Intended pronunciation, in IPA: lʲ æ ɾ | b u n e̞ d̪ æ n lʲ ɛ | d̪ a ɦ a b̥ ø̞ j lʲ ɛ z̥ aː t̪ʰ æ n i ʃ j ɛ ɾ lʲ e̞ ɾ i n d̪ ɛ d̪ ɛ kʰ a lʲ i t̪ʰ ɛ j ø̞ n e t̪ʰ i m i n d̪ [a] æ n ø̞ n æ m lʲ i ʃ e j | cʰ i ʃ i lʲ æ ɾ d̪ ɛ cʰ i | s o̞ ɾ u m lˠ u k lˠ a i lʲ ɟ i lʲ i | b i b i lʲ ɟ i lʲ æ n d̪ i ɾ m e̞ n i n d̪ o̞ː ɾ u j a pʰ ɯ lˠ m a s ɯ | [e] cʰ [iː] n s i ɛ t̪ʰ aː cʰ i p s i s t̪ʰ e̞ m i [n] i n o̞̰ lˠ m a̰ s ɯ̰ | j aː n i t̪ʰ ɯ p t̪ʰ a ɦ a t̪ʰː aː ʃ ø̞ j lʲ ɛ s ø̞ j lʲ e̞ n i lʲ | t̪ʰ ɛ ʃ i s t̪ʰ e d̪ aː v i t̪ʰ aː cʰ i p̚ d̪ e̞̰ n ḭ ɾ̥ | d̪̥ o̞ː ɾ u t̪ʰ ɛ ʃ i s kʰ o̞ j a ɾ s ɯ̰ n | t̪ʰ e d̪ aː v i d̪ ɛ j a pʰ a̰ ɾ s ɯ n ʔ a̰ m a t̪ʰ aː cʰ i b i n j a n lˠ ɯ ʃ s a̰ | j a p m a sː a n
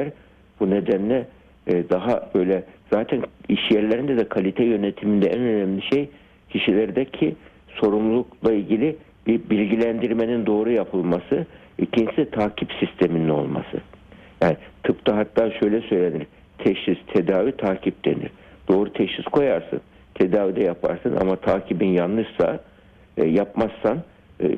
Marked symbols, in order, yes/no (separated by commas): no, no, no, yes